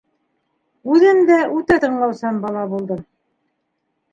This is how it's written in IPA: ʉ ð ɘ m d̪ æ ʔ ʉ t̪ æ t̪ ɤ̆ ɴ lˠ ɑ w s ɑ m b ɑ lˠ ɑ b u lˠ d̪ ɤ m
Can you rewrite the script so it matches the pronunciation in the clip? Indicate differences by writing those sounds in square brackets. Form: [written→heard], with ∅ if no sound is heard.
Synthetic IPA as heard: ʉ ð ɘ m d̪ æ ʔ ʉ t̪ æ t̪ ɤ̆ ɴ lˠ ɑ w s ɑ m b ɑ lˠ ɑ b u lˠ d̪ ɤ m